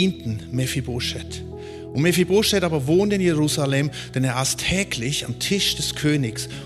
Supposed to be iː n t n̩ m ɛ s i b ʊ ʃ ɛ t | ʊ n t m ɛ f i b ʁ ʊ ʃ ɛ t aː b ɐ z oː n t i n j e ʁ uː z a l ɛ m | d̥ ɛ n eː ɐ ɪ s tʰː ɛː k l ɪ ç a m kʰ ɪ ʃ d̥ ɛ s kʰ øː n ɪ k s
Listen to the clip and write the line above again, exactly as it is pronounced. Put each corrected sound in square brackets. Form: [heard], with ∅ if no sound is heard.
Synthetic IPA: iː n t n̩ m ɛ [f] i b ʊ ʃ ɛ t | ʊ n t m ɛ f i b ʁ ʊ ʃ ɛ t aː b ɐ [v] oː n t [ɪ] n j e ʁ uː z a l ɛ m | d̥ ɛ n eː ɐ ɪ s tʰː ɛː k l ɪ ç a m [tʰ] ɪ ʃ d̥ ɛ s kʰ øː n ɪ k s